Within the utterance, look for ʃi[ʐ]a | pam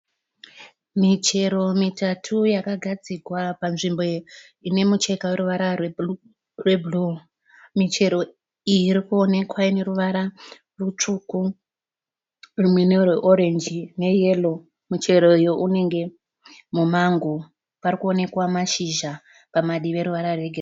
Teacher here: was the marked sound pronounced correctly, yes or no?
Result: no